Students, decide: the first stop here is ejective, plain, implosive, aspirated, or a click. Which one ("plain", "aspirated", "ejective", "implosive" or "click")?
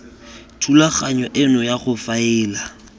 aspirated